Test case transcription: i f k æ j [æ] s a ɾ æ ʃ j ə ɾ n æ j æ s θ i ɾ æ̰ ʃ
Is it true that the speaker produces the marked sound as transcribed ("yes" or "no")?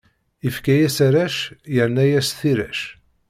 yes